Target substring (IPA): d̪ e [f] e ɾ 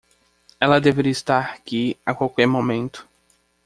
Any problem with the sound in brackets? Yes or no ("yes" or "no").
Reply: yes